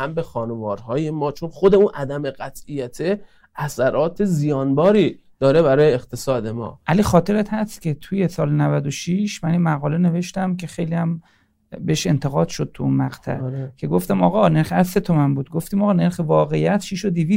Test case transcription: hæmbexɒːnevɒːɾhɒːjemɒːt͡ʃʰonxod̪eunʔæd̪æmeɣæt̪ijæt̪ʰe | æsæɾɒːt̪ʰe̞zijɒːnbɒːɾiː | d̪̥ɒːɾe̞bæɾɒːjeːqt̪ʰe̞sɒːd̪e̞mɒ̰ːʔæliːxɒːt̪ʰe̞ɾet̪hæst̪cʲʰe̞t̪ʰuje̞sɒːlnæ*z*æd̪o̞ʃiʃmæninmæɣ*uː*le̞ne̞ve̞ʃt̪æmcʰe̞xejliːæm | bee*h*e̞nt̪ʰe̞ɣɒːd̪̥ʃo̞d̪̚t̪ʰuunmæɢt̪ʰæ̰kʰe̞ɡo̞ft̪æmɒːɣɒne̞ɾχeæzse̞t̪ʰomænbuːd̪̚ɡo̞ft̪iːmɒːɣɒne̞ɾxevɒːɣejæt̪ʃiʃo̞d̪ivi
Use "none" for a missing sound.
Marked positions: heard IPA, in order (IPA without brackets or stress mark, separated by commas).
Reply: v, ɒː, ʃ